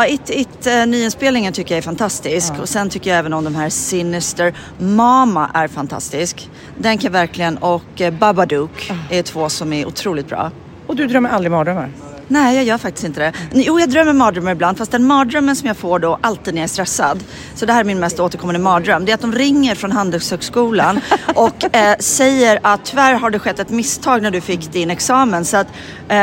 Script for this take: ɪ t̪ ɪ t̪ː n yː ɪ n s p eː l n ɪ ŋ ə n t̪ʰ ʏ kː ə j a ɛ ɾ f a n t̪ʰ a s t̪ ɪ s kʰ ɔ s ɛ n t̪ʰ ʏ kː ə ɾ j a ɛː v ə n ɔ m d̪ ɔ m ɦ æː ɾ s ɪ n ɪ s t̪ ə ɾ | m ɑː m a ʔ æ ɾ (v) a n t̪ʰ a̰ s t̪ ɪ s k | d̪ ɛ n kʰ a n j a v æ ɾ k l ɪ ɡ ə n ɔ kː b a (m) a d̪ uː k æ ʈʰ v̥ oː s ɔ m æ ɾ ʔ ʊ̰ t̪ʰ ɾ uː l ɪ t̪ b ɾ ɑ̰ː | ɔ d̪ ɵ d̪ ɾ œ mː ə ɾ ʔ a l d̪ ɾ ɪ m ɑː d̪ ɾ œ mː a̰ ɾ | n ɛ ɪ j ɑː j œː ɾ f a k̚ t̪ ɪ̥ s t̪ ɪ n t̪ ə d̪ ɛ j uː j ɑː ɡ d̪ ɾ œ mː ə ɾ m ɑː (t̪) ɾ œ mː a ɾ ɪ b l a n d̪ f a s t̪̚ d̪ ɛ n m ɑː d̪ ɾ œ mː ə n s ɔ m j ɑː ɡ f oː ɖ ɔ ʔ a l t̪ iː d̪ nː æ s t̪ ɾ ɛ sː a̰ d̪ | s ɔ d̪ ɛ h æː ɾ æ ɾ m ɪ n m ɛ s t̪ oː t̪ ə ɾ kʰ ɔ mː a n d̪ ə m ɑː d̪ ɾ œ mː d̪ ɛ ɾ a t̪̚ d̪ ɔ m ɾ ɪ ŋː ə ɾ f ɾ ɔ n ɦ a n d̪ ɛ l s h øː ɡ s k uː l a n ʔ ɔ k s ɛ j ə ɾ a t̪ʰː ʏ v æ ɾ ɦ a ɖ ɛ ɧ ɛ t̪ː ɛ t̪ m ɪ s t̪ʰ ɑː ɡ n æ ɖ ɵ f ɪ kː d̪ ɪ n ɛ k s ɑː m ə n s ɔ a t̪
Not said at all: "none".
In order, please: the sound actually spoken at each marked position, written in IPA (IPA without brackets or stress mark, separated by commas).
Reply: f, b, d̪